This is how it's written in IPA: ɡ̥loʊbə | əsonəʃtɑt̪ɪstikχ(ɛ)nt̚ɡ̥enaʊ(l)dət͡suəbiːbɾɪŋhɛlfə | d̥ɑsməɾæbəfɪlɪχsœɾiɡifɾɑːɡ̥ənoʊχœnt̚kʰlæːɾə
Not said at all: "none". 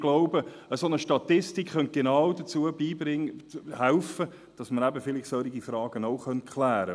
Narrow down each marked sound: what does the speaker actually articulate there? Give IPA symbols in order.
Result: œ, none

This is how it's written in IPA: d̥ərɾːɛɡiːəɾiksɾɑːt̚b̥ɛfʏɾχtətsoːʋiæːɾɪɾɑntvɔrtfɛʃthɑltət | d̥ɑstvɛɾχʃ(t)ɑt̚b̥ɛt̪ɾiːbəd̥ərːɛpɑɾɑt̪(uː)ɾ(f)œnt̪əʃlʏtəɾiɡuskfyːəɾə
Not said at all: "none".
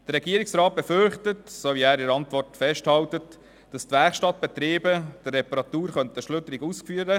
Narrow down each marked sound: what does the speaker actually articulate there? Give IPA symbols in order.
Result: t, uː, χ

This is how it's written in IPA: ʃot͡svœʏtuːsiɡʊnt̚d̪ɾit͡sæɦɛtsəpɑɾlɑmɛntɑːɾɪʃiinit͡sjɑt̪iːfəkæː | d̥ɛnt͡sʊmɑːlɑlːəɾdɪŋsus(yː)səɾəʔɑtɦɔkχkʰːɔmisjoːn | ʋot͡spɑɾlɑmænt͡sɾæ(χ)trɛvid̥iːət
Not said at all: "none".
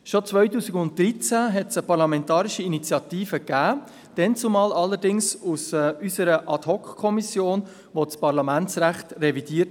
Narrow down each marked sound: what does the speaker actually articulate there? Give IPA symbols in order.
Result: y, χ

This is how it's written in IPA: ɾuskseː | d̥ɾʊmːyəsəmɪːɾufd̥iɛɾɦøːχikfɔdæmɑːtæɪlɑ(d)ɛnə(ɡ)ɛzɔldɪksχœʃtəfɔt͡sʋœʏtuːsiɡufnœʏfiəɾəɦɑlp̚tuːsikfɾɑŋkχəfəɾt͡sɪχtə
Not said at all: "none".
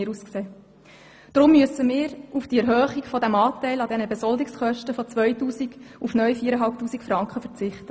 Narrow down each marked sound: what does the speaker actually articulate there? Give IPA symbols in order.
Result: d, b

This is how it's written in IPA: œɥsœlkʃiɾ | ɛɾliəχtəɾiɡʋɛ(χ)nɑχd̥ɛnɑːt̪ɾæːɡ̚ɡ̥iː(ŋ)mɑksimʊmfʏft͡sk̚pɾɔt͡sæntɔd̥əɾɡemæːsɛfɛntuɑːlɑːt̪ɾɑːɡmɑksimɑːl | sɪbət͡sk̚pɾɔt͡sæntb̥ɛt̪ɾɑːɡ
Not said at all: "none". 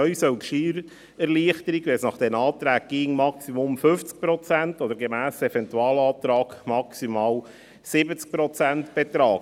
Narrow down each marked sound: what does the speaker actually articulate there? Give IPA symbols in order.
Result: s, ŋ

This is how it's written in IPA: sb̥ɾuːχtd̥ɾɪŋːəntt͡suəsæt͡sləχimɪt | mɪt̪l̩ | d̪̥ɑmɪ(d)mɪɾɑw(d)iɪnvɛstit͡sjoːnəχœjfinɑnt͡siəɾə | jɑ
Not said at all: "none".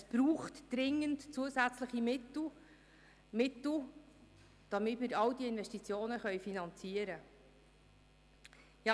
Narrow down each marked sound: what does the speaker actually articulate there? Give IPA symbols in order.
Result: t, d

